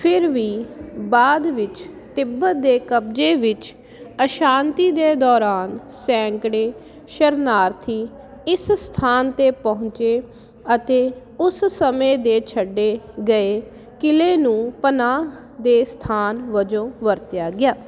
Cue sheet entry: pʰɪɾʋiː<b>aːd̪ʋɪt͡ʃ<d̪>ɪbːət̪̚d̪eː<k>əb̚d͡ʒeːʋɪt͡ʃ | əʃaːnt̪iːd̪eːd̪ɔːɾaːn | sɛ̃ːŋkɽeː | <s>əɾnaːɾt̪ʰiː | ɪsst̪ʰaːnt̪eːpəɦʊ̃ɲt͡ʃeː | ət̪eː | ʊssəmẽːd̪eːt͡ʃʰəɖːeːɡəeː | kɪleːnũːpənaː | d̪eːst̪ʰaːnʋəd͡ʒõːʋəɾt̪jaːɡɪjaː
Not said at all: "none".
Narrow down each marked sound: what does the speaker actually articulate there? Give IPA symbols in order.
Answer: b, t̪, k, ʃ

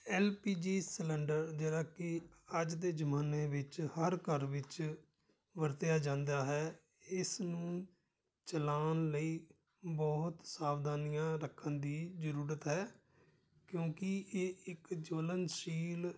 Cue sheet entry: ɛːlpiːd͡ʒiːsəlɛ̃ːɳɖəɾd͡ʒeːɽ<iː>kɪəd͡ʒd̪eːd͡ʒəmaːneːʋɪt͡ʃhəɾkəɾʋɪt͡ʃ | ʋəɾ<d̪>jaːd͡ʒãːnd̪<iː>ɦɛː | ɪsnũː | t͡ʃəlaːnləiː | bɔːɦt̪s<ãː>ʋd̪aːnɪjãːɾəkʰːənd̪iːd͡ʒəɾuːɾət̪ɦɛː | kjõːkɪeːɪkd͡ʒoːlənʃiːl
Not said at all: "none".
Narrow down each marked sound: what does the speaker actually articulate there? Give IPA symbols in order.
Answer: aː, t̪, aː, aː

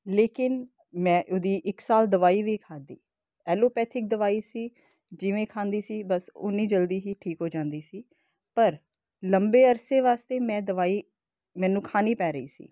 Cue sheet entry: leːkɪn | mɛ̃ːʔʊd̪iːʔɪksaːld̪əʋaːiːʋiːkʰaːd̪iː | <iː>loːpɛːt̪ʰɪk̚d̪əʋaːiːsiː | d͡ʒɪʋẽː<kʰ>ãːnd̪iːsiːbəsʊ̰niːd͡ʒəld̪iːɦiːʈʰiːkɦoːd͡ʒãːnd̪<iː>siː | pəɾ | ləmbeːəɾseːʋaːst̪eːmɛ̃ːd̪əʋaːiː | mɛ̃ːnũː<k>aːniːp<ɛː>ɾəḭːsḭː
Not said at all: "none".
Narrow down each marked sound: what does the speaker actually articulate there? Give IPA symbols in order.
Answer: ɛː, kʰ, iː, kʰ, ɛː

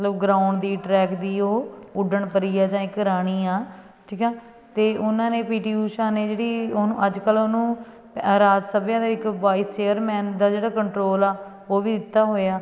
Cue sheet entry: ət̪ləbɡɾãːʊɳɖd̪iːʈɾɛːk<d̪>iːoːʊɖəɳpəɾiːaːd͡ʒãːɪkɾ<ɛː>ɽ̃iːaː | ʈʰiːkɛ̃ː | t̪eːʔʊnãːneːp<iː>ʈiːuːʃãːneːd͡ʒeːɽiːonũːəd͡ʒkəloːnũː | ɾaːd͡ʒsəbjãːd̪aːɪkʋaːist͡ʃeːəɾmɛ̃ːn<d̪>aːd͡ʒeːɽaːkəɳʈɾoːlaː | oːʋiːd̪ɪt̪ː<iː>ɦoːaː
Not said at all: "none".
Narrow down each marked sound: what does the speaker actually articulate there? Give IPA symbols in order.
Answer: d̪, aː, iː, d̪, aː

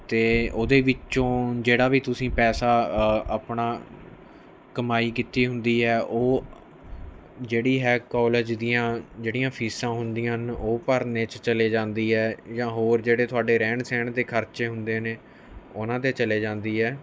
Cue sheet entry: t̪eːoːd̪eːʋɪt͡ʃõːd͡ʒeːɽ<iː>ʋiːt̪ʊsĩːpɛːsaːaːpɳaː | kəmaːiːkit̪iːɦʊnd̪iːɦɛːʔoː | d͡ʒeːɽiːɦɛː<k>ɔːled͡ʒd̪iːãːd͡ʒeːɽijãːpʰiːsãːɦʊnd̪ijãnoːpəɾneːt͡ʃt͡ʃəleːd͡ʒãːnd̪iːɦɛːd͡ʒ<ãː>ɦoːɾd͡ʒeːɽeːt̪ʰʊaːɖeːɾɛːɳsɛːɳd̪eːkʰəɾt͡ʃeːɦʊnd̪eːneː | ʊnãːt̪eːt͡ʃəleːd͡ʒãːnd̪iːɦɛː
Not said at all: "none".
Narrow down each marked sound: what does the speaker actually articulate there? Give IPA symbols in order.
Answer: aː, k, ãː

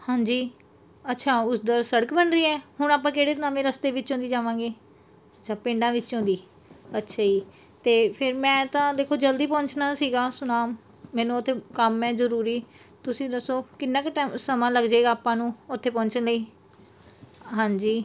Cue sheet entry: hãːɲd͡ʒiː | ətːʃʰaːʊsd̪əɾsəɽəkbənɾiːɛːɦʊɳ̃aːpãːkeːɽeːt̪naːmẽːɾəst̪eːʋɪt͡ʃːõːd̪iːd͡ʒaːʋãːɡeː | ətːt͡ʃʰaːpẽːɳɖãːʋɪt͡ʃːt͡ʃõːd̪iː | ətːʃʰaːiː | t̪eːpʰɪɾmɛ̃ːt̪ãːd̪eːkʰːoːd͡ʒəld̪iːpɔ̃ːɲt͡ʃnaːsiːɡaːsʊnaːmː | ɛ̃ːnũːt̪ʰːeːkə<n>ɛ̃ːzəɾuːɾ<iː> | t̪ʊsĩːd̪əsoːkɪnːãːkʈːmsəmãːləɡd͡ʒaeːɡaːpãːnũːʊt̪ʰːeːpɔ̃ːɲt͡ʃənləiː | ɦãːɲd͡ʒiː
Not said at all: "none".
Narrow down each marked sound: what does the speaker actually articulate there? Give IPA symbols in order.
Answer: m, iː

